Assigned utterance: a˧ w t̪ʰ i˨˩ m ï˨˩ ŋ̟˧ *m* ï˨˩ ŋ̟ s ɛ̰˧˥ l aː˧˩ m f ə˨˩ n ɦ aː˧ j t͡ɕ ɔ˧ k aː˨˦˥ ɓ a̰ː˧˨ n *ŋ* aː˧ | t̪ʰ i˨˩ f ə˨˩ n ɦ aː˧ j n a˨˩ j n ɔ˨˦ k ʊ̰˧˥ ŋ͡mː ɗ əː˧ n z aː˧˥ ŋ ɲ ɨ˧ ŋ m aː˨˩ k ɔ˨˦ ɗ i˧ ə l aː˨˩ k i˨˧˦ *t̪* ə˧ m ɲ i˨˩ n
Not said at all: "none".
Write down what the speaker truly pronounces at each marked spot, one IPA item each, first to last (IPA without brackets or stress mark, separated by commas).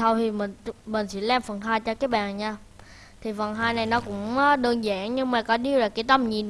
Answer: m, ɲ, t̪